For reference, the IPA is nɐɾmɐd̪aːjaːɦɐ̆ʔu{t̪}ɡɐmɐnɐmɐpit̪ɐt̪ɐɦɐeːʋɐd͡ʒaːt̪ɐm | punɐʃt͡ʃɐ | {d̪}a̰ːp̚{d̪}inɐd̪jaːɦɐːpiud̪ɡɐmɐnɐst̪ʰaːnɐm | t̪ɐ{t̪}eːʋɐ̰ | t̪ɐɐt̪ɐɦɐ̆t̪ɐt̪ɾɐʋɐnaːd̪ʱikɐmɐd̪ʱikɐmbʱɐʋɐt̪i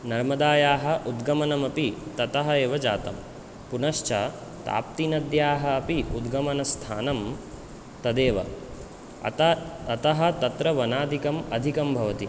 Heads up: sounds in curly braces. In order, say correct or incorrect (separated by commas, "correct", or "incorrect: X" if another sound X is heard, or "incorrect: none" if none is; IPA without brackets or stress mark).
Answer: incorrect: d̪, incorrect: t̪, incorrect: t̪, incorrect: d̪